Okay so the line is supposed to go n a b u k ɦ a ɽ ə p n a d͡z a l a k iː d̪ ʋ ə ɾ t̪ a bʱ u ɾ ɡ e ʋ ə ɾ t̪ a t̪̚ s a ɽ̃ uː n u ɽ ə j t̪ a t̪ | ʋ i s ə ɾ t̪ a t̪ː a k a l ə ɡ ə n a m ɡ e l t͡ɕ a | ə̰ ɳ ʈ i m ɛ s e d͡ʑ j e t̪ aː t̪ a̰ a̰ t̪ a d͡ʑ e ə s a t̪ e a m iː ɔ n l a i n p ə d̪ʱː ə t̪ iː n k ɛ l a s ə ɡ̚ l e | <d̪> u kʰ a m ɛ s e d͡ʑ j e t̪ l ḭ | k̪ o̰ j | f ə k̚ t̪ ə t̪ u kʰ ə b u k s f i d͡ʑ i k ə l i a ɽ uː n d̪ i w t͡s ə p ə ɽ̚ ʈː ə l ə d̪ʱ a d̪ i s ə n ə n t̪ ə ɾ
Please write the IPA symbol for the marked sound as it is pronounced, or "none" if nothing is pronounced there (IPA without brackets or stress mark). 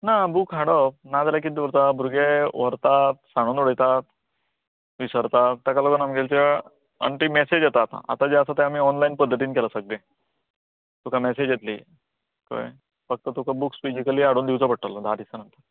t̪